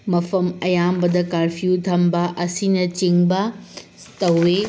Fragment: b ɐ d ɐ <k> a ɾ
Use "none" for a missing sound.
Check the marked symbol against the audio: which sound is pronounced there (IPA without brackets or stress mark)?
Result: k